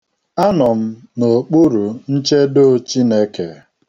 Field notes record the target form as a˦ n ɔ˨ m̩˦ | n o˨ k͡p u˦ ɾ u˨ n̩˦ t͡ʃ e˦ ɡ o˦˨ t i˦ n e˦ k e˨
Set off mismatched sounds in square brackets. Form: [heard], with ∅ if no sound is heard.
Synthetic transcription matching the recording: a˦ n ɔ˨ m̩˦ | n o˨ k͡p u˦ ɾ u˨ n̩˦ t͡ʃ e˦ [d] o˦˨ [t͡ʃ] i˦ n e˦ k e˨